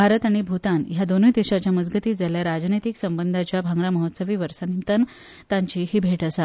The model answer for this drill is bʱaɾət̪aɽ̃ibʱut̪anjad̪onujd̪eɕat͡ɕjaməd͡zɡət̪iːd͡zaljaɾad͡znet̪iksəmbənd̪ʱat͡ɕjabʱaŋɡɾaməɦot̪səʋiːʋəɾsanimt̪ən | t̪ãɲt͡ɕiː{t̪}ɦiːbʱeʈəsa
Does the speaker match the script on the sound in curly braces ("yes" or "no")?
no